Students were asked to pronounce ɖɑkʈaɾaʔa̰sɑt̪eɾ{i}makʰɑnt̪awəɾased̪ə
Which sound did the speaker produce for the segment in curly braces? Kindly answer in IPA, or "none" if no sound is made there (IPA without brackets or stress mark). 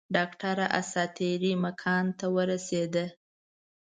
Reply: i